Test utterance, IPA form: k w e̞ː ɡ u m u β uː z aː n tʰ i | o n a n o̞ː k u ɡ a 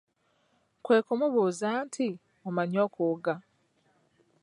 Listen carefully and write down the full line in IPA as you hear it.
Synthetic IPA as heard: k w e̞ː k u m u β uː z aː n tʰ i | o m a ɲ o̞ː k u ɡ a